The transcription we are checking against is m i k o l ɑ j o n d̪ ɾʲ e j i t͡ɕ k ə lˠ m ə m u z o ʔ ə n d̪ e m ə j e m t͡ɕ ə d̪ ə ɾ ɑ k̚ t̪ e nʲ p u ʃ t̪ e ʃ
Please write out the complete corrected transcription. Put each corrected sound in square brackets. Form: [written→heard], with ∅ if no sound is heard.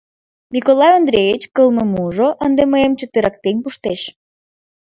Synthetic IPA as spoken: m i k o l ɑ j o n d̪ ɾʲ e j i t͡ɕ k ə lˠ m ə m u [z→ʒ] o ʔ ə n d̪ e m ə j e m t͡ɕ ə [d̪→t̪] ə ɾ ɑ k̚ t̪ e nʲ p u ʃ t̪ e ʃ

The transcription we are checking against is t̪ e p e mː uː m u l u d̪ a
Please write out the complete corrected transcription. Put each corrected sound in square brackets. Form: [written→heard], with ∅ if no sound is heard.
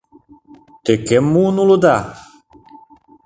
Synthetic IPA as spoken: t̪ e [p→k] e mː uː [m→n] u l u d̪ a

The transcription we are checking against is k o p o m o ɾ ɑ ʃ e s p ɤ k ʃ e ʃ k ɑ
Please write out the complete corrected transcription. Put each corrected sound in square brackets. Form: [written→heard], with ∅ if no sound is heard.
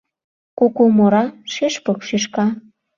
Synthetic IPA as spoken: k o [p→k] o m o ɾ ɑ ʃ e [s→ʃ] p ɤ k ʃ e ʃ k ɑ

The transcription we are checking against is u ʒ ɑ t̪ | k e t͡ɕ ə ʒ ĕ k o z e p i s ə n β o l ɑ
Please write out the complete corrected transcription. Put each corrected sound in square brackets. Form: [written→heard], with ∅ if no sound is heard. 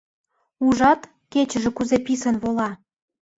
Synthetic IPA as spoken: u ʒ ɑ t̪ | k e t͡ɕ ə ʒ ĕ k [o→u] z e p i s ə n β o l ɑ

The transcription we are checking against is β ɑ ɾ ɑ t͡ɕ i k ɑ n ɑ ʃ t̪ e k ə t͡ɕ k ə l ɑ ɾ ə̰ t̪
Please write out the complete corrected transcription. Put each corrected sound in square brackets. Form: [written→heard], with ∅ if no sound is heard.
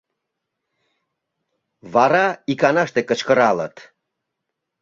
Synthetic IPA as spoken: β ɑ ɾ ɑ [t͡ɕ→∅] i k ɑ n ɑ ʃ t̪ e k ə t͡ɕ k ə [l→ɾ] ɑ [ɾ→l] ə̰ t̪

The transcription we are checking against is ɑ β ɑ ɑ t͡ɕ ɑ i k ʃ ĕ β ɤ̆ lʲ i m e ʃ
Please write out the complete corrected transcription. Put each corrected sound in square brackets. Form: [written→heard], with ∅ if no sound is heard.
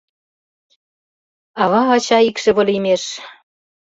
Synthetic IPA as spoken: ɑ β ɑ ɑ t͡ɕ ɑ i k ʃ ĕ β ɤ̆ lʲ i m e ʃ

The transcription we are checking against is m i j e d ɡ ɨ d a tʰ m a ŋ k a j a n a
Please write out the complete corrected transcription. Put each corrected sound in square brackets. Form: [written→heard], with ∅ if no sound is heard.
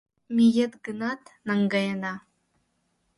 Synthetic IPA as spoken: m i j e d ɡ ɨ [d→n] a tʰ [m→n] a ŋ [k→ɡ] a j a n a

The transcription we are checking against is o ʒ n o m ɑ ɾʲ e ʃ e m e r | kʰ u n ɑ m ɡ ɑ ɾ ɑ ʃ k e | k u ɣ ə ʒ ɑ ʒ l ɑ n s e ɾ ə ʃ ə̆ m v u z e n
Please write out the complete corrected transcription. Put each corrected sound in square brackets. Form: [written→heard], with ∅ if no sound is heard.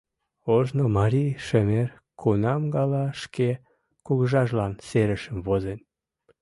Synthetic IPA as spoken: o ʒ n o m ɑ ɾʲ [e→i] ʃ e m e r | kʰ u n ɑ m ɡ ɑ [ɾ→l] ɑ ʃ k e | k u ɣ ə ʒ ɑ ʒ l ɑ n s e ɾ ə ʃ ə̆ m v [u→o] z e n

